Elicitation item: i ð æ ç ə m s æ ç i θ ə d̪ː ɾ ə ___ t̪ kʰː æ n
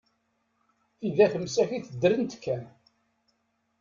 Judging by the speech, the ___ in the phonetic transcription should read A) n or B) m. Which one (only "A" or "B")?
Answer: A